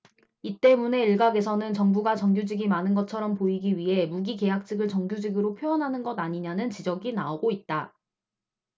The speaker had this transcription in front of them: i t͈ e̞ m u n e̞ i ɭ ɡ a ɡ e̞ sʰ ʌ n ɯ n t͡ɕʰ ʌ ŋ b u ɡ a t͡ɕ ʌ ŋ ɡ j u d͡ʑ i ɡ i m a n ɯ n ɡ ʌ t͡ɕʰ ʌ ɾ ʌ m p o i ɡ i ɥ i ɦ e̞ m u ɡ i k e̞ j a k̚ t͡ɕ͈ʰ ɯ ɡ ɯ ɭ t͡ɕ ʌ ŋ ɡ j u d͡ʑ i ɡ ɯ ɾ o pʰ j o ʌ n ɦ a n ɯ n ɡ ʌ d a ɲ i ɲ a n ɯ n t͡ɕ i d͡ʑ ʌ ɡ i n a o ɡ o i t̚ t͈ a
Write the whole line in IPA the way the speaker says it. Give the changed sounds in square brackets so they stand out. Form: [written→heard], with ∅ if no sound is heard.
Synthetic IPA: i t͈ e̞ m u n e̞ i ɭ ɡ a ɡ e̞ sʰ ʌ n ɯ n [t͡ɕʰ→t͡ɕ] ʌ ŋ b u ɡ a t͡ɕ ʌ ŋ ɡ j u d͡ʑ i ɡ i m a n ɯ n ɡ ʌ t͡ɕʰ ʌ ɾ ʌ m p o i ɡ i ɥ i ɦ e̞ m u ɡ i k e̞ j a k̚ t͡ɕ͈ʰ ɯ ɡ ɯ ɭ t͡ɕ ʌ ŋ ɡ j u d͡ʑ i ɡ ɯ ɾ o pʰ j o ʌ n ɦ a n ɯ n ɡ ʌ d a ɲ i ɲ a n ɯ n t͡ɕ i d͡ʑ ʌ ɡ i n a o ɡ o i t̚ t͈ a

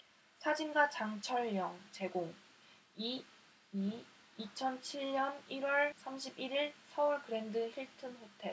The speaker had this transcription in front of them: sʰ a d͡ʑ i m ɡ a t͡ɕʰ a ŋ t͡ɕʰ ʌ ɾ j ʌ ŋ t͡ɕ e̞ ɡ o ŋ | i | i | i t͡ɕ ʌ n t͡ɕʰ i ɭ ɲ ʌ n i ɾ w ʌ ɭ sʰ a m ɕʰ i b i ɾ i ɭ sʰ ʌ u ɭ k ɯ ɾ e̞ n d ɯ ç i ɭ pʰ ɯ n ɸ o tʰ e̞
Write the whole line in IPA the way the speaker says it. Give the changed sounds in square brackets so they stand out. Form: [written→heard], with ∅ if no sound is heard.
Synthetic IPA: sʰ a d͡ʑ i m ɡ a [t͡ɕʰ→t͡ɕ] a ŋ t͡ɕʰ ʌ [ɾ→ɭ] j ʌ ŋ t͡ɕ e̞ ɡ o ŋ | i | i | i [t͡ɕ→t͡ɕʰ] ʌ n t͡ɕʰ i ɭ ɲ ʌ n i ɾ w ʌ ɭ sʰ a m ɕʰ i b i ɾ i ɭ sʰ ʌ u ɭ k ɯ ɾ e̞ n d ɯ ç i ɭ [pʰ→tʰ] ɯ n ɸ o tʰ e̞

